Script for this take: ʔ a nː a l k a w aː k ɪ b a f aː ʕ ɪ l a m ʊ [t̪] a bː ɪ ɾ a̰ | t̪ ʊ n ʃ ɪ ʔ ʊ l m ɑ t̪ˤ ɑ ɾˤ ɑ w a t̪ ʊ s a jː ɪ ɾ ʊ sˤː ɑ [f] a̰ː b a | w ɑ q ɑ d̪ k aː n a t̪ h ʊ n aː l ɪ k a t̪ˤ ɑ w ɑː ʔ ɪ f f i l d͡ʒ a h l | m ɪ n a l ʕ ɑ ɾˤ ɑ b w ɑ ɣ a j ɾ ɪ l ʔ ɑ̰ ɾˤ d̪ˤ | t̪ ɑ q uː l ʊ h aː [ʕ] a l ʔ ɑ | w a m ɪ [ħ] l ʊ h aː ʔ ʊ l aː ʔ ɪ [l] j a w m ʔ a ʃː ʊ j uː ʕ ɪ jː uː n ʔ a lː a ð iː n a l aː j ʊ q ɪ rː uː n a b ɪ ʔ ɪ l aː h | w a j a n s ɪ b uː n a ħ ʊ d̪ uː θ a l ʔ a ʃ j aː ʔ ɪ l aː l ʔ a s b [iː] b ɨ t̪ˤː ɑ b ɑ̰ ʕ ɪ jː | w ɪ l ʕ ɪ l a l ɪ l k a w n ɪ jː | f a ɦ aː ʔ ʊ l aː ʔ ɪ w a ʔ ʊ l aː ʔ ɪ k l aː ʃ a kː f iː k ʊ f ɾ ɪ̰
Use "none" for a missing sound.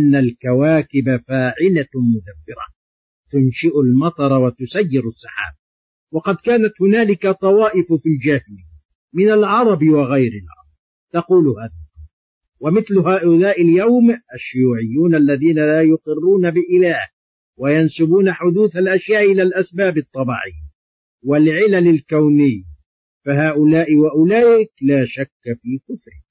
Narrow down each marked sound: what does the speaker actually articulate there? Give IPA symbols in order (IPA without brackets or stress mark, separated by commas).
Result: d̪, ħ, ð, θ, l, aː